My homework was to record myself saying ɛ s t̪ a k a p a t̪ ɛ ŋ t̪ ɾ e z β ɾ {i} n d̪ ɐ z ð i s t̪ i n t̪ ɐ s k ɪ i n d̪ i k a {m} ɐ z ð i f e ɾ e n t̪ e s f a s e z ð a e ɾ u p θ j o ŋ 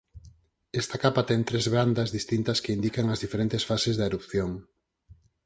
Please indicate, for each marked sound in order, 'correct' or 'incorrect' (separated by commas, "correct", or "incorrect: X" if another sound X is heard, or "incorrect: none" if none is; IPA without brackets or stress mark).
incorrect: a, incorrect: ŋ